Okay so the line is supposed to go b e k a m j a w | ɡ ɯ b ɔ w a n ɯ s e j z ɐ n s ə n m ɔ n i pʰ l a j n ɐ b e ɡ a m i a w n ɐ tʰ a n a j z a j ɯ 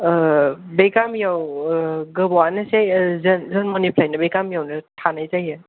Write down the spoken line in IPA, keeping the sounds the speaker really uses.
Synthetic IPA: b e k a m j a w | ɡ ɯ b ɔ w a n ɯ s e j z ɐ n z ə n m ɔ n i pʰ l a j n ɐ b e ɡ a m j a w n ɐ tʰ a n a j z a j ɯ